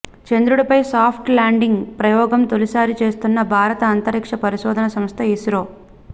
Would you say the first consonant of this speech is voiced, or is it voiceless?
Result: voiceless